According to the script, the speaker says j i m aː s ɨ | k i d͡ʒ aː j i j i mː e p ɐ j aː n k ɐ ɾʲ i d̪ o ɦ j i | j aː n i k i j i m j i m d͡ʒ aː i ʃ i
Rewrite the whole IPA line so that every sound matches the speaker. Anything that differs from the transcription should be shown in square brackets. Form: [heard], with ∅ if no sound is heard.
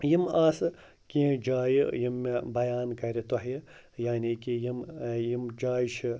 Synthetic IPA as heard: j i m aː s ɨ | k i d͡ʒ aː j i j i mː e [b] ɐ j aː n k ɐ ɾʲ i [t̪] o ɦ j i | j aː n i k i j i m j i m d͡ʒ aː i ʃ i